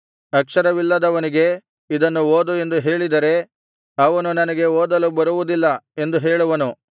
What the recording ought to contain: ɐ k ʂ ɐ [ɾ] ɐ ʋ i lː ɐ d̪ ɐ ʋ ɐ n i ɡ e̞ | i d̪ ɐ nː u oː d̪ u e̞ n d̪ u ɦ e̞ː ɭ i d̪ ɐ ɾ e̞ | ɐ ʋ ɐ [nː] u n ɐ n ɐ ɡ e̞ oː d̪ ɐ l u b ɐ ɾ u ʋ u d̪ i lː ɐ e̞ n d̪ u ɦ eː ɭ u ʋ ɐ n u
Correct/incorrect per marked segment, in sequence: correct, incorrect: n

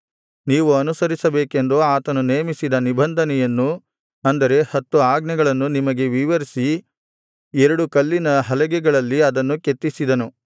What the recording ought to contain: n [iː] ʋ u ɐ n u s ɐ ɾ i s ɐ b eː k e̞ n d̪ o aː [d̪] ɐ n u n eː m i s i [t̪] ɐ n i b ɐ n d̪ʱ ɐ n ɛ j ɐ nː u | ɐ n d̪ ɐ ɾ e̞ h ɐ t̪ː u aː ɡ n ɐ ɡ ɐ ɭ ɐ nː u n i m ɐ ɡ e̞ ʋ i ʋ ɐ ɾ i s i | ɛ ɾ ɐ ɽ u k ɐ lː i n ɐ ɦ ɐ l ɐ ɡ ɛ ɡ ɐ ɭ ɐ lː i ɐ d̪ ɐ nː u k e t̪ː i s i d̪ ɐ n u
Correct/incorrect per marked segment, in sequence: correct, incorrect: t̪, incorrect: d̪

